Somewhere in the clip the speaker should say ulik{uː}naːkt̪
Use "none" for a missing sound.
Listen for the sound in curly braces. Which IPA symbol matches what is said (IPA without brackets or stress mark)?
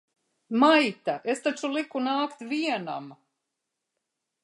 u